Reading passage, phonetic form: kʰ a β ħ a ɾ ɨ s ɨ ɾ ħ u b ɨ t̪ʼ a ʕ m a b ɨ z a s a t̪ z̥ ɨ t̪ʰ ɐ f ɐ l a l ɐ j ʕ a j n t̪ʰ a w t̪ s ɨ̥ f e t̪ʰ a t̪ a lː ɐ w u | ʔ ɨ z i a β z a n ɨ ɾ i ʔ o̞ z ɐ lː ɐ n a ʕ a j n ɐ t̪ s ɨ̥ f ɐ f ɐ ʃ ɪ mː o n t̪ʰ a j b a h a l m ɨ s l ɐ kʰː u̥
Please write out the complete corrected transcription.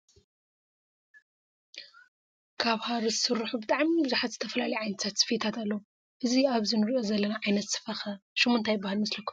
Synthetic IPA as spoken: kʰ a β h a ɾ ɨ s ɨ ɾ ħ u b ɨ t̪ʼ a ʕ m i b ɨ z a ħ a t̪ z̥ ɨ t̪ʰ ɐ f ɐ l a l ɐ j ʕ a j n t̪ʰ a t̪ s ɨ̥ f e t̪ʰ a t̪ a lː ɐ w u | ʔ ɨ z i a β z i n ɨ ɾ i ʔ o̞ z ɐ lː ɐ n a ʕ a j n ɐ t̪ s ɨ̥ f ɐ x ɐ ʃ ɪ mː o n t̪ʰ a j b a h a l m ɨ s l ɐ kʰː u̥